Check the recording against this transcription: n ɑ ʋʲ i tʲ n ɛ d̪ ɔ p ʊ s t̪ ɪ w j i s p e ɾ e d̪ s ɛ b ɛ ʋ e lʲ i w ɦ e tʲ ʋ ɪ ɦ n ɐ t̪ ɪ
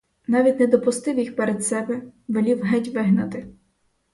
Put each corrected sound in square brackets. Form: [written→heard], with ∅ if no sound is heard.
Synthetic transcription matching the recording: n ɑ ʋʲ i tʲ n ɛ d̪ ɔ p ʊ s t̪ ɪ w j i [s→x] p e ɾ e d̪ s ɛ b ɛ ʋ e lʲ i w ɦ [e→ɛ] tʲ ʋ ɪ ɦ n ɐ t̪ ɪ